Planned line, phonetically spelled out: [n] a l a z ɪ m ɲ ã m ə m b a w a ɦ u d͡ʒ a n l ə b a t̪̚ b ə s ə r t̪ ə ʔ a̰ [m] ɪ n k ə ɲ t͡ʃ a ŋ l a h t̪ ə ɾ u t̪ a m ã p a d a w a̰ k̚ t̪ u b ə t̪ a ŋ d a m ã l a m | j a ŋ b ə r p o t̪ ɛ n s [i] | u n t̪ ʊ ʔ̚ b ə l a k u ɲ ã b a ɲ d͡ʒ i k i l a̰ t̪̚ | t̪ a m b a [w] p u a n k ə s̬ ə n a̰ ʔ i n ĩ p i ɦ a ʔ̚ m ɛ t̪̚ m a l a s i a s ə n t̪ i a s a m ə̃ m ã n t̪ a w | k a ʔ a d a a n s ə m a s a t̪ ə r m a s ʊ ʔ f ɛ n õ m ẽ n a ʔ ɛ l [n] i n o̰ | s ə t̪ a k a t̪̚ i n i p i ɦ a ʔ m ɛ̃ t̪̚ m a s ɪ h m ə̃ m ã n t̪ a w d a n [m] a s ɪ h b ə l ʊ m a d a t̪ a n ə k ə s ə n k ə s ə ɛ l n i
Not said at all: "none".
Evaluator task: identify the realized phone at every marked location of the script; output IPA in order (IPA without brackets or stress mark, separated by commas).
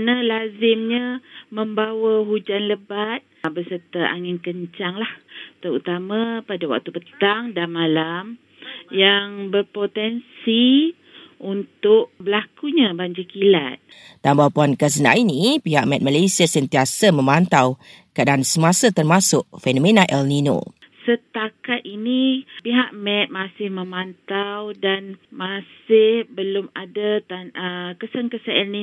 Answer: n, ŋ, i, w, n, m